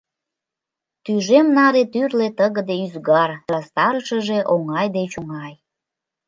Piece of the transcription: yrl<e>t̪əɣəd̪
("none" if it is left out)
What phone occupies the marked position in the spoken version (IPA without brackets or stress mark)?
e